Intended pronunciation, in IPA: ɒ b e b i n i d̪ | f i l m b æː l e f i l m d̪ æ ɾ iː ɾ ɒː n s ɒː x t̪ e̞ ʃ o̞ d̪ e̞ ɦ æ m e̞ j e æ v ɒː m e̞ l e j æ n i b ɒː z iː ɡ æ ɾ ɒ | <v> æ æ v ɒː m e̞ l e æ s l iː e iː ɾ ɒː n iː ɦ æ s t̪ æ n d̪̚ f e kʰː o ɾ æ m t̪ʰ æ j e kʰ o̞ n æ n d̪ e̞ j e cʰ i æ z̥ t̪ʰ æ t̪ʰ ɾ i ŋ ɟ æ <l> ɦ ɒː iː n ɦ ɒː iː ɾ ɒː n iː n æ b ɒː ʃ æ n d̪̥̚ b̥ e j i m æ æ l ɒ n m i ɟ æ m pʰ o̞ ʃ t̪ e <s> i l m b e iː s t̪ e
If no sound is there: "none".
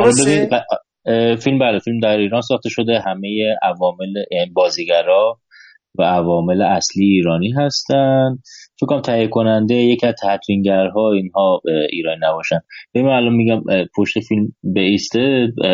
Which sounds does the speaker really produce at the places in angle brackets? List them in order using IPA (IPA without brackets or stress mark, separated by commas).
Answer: v, ɾ, f